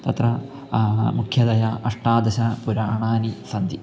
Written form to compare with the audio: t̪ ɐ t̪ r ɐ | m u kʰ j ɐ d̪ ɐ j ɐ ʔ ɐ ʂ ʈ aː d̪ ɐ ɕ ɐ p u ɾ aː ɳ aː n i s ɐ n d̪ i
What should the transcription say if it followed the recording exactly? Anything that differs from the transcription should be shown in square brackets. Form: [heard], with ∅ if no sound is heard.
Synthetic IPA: t̪ ɐ t̪ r ɐ | m u kʰ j ɐ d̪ ɐ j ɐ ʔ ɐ ʂ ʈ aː d̪ ɐ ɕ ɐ p u ɾ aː ɳ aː n i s ɐ n d̪ i